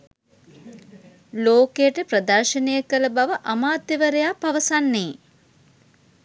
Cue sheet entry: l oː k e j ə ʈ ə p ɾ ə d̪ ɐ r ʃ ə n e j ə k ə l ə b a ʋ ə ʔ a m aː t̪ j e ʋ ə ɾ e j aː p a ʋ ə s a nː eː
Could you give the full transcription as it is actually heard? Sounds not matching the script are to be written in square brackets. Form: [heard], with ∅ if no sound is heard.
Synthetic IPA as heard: l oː k e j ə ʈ ə p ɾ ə d̪ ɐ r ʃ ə n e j ə k ə l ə b a ʋ ə ʔ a m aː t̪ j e ʋ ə ɾ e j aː p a ʋ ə s a nː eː